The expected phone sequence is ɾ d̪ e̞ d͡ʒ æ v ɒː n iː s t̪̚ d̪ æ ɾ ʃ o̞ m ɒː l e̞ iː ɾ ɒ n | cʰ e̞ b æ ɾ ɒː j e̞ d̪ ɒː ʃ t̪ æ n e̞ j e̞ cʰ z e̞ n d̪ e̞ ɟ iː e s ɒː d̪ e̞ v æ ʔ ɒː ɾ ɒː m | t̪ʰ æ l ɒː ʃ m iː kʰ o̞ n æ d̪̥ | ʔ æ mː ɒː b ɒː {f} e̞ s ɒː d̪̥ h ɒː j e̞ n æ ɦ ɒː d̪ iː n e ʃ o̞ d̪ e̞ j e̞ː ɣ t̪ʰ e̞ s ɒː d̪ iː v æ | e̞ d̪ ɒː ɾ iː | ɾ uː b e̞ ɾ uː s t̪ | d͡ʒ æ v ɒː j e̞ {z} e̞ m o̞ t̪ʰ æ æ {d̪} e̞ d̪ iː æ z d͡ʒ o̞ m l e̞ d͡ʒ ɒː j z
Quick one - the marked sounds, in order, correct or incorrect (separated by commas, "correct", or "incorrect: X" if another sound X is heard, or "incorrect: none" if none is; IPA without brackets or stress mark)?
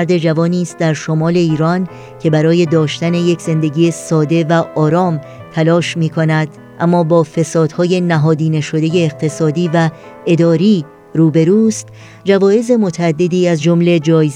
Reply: correct, correct, incorrect: d̪ː